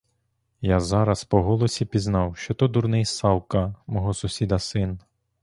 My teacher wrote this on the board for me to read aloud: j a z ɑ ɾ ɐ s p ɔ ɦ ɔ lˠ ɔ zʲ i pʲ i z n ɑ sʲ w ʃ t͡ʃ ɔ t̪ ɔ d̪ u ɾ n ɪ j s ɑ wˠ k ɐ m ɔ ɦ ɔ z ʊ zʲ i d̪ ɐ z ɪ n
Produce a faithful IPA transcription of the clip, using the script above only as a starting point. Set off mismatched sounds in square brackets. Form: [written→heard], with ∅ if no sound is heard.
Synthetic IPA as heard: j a z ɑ ɾ ɐ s p ɔ ɦ ɔ lˠ ɔ [zʲ→sʲ] i pʲ i z n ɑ [sʲ→∅] w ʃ t͡ʃ ɔ t̪ ɔ d̪ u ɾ n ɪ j s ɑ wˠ k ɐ m ɔ ɦ ɔ [z→s] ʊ [zʲ→sʲ] i d̪ ɐ [z→s] ɪ n